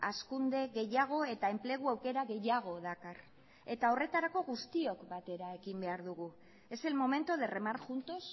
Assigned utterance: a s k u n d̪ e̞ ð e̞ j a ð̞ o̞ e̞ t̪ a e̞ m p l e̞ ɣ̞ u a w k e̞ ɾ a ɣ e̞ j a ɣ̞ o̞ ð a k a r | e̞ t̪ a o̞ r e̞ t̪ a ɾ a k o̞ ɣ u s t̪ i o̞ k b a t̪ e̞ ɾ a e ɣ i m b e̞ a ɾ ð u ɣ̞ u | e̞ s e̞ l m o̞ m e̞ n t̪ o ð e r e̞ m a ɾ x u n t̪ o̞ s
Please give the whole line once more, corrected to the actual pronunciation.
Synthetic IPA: a s k u n d̪ e̞ ɣ e̞ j a ɣ̞ o̞ e̞ t̪ a e̞ m p l e̞ ɣ̞ u a w k e̞ ɾ a ɣ e̞ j a ɣ̞ o̞ ð a k a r | e̞ t̪ a o̞ r e̞ t̪ a ɾ a k o̞ ɣ u s t̪ i o̞ k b a t̪ e̞ ɾ a e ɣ i m b e̞ a ɾ ð u ɣ̞ u | e̞ s e̞ l m o̞ m e̞ n t̪ o ð e r e̞ m a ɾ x u n t̪ o̞ s